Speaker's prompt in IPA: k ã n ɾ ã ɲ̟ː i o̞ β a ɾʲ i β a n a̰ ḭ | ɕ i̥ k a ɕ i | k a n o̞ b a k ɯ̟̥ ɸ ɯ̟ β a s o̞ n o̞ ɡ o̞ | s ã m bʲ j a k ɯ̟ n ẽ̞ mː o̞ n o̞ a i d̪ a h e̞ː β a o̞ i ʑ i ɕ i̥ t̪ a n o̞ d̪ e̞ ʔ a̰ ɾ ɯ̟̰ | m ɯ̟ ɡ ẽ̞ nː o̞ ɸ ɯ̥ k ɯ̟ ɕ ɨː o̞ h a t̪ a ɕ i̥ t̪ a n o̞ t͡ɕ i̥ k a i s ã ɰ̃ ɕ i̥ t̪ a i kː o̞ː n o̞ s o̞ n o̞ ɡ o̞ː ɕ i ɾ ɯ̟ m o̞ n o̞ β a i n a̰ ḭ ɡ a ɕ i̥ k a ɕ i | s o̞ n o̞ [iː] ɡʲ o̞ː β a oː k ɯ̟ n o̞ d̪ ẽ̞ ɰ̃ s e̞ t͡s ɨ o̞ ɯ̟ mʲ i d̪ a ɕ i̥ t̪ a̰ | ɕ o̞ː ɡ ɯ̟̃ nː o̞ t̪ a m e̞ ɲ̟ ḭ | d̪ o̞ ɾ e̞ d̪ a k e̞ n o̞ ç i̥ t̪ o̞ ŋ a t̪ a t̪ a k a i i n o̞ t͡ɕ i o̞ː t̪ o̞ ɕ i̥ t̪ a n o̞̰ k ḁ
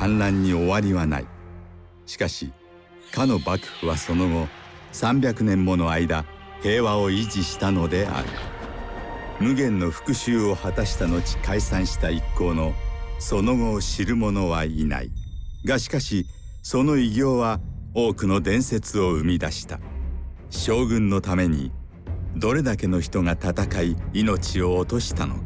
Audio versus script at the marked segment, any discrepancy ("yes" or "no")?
yes